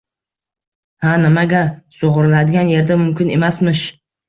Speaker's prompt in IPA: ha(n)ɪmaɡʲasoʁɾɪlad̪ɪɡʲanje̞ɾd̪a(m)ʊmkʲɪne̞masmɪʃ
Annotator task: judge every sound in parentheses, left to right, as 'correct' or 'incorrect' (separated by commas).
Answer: correct, correct